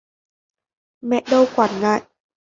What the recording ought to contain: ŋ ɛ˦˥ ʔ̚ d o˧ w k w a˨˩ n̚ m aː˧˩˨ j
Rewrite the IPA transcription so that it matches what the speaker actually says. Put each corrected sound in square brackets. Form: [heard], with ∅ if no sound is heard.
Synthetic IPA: [m] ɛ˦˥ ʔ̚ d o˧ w k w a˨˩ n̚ [ŋ] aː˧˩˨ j